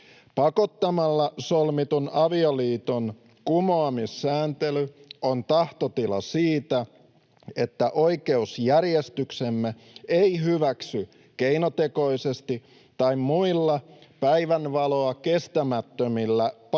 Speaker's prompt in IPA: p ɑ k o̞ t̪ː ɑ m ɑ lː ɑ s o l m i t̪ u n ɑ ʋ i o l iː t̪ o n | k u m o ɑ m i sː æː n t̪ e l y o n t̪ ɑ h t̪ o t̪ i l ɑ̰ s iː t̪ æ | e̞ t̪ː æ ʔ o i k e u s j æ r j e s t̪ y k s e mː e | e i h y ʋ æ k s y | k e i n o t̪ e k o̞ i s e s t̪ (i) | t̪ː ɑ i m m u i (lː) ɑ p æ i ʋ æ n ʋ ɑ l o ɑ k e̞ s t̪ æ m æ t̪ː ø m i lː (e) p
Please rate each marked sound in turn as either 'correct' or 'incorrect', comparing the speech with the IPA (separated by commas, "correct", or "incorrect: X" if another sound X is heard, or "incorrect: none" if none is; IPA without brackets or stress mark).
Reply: correct, correct, incorrect: æ